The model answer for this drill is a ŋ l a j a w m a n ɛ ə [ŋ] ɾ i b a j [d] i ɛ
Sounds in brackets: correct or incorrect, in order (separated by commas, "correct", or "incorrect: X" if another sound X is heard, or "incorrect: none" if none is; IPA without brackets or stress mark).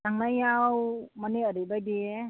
incorrect: none, correct